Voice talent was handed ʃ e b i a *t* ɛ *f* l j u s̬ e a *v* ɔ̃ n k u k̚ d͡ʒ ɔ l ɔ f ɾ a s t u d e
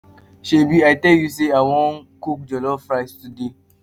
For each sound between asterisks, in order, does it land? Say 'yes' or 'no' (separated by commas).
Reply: yes, no, no